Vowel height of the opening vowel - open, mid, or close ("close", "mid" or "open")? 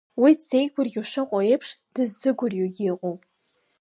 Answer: close